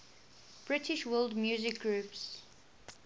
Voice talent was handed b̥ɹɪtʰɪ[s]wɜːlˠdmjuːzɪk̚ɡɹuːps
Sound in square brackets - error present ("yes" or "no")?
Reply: yes